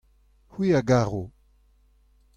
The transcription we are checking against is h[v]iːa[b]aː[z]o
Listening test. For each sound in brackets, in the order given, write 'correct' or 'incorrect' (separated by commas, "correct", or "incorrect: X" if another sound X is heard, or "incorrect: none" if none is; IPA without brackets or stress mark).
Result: incorrect: w, incorrect: ɡ, incorrect: ʁ